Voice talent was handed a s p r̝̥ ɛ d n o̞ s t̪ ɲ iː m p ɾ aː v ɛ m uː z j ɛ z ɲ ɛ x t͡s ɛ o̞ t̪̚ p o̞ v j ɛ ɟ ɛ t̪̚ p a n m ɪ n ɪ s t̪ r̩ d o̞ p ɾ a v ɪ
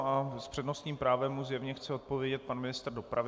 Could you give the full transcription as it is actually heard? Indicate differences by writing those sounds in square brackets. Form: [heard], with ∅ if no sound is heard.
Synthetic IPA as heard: a s p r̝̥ ɛ d n o̞ s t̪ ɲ iː m p ɾ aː v ɛ m [u] z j ɛ [v] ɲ ɛ x t͡s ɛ o̞ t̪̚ p o̞ v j ɛ ɟ ɛ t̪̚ p a n m ɪ n ɪ s t̪ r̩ d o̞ p ɾ a v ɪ